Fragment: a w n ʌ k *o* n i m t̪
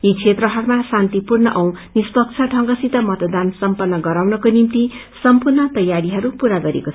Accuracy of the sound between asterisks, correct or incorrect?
correct